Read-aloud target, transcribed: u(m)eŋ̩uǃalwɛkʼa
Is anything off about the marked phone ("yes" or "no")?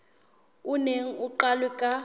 yes